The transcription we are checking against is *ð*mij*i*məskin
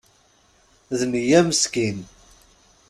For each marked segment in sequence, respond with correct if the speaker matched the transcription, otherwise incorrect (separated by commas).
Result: correct, incorrect